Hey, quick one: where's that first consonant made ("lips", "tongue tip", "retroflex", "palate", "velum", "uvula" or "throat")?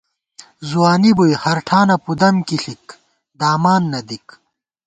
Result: tongue tip